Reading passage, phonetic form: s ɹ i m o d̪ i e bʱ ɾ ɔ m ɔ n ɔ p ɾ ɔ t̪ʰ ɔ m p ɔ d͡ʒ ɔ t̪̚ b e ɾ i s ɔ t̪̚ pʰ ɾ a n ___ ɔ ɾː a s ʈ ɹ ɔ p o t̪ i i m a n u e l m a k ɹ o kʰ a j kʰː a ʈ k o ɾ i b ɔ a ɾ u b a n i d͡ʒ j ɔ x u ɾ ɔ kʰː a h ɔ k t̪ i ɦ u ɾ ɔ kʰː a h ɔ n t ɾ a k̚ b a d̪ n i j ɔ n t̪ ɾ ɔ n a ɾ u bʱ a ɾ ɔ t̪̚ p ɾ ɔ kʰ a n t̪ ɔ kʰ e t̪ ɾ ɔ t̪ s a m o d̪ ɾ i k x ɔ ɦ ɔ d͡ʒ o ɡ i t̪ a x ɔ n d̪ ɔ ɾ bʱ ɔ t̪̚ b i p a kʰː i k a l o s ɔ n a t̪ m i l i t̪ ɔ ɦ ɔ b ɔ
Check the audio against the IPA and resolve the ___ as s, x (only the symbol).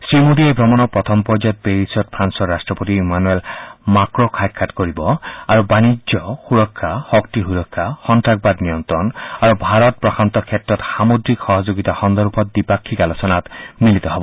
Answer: s